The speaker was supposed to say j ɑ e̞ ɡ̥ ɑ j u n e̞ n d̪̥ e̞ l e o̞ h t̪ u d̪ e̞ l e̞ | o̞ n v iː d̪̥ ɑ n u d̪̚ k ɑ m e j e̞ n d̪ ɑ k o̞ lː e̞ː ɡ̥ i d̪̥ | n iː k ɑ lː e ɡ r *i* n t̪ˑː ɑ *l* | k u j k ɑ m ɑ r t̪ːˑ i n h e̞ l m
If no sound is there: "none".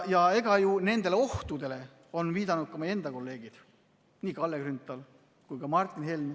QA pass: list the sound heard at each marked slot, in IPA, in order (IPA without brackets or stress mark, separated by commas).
y, l